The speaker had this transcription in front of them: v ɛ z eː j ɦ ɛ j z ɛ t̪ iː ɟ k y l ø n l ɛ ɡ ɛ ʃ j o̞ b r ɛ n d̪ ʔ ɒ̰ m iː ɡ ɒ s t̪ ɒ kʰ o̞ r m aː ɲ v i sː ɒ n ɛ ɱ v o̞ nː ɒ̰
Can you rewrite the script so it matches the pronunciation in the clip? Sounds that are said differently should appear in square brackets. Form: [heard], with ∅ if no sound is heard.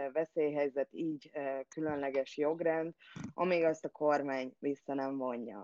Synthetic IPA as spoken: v ɛ [s] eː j ɦ ɛ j z ɛ t̪ iː ɟ k y l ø n l ɛ ɡ ɛ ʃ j o̞ [ɡ] r ɛ n d̪ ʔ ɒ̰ m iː ɡ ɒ s t̪ ɒ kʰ o̞ r m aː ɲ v i sː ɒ n ɛ ɱ v o̞ [ɲː] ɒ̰